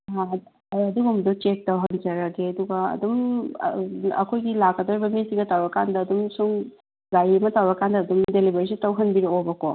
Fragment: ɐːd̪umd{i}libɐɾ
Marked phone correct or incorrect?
incorrect